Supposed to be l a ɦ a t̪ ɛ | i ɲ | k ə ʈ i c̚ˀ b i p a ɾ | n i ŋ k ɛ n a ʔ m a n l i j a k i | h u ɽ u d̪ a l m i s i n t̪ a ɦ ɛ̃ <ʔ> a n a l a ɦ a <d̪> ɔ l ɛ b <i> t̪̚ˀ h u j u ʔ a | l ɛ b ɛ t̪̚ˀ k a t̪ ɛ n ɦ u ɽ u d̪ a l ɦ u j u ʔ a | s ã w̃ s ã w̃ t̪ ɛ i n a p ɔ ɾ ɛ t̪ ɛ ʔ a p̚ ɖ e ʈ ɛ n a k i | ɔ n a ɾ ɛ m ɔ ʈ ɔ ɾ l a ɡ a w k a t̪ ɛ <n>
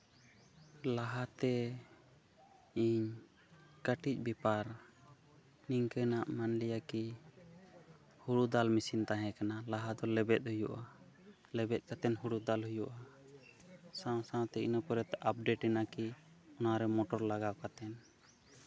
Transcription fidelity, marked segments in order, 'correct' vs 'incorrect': incorrect: k, correct, incorrect: ɛ, correct

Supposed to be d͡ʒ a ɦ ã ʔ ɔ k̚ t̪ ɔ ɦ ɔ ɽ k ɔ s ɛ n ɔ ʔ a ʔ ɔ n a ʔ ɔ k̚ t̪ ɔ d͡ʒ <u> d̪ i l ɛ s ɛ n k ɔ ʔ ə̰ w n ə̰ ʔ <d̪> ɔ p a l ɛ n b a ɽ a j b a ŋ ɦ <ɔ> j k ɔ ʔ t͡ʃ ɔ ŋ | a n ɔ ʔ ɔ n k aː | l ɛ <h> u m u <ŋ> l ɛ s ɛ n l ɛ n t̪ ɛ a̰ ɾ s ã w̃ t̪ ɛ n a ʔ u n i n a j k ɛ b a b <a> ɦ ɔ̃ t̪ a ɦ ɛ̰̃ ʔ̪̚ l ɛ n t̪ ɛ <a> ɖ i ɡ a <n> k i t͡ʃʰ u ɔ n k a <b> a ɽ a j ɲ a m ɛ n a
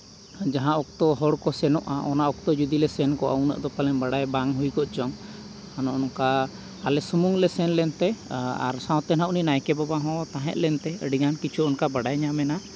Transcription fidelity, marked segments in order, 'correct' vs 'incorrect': correct, correct, incorrect: u, incorrect: s, correct, correct, incorrect: ə, correct, correct

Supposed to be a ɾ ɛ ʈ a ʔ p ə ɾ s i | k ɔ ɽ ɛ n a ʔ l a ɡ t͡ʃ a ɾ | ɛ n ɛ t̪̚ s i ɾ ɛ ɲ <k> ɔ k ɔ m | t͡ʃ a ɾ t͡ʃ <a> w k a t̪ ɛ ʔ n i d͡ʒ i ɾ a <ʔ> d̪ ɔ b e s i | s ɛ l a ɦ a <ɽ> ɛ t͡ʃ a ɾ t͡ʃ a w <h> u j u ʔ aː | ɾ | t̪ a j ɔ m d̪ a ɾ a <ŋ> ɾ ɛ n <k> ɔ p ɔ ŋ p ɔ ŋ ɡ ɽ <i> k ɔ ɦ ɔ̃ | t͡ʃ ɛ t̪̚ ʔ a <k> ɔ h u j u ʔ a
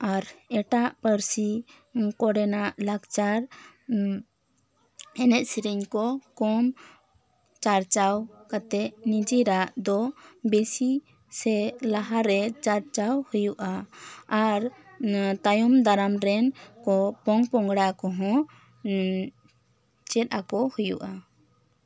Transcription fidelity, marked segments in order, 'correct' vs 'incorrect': correct, correct, correct, incorrect: ɾ, correct, incorrect: m, correct, incorrect: a, correct

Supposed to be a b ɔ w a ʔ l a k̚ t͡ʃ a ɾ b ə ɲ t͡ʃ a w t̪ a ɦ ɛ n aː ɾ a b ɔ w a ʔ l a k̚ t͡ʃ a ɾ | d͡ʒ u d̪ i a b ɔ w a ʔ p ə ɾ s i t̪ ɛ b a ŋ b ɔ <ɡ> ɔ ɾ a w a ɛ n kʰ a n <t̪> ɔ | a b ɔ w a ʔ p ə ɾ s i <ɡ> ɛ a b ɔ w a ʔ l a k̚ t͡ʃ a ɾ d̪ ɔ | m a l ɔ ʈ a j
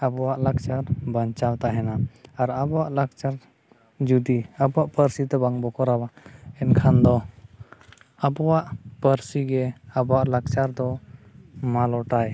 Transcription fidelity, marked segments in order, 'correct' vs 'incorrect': incorrect: k, incorrect: d̪, correct

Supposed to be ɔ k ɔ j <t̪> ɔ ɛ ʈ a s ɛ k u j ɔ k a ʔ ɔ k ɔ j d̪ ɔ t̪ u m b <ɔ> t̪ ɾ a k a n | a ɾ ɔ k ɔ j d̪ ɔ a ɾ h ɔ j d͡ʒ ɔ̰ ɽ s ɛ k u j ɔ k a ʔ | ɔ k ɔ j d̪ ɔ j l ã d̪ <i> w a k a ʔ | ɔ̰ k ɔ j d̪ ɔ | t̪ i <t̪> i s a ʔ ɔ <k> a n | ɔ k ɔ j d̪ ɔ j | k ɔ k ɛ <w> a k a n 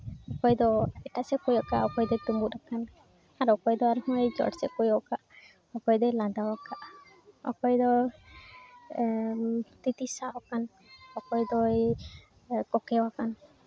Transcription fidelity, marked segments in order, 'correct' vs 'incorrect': incorrect: d̪, incorrect: u, incorrect: a, correct, correct, correct

